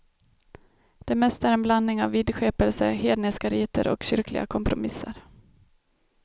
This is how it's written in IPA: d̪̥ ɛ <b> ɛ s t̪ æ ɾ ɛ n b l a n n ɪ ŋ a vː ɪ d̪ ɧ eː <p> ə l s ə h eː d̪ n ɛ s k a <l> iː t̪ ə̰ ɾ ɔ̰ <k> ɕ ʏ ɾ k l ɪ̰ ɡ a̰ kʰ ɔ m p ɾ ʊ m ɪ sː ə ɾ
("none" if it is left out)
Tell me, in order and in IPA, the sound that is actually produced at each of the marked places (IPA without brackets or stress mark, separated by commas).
m, p, ɾ, k